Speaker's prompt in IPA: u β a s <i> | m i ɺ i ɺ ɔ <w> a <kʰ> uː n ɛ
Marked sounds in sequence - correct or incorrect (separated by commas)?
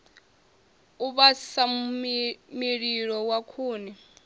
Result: incorrect, correct, correct